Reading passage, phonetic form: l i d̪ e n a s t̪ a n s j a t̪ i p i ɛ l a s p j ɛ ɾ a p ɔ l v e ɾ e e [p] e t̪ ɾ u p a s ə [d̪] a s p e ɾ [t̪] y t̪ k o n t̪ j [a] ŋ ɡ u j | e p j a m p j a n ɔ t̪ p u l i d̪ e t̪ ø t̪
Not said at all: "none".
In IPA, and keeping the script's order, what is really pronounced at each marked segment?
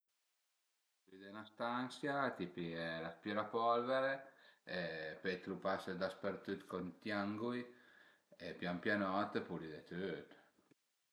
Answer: p, d̪, t̪, a

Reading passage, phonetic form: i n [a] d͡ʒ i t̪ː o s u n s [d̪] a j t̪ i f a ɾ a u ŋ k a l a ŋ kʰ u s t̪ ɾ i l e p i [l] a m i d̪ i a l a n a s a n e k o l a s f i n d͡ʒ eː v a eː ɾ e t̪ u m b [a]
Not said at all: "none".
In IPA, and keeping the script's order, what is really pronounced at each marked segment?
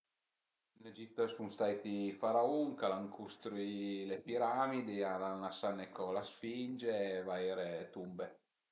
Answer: e, t̪, ɾ, e

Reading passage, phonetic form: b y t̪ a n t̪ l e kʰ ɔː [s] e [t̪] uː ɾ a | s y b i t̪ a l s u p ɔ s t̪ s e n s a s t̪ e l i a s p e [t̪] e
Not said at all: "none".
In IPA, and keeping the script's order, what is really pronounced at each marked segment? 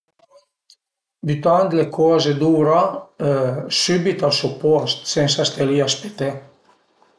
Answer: z, d̪, t̪

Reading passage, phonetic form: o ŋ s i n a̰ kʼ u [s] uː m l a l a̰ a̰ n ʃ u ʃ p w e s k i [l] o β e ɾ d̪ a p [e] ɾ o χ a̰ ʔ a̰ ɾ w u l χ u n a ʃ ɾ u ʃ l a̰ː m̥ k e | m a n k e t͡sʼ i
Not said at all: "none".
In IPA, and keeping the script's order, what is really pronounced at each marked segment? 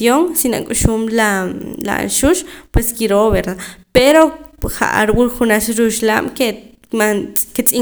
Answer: ʃ, ɾ, e

